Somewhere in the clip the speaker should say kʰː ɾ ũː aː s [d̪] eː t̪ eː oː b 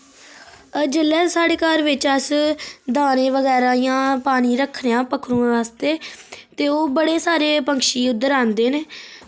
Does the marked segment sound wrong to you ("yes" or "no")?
yes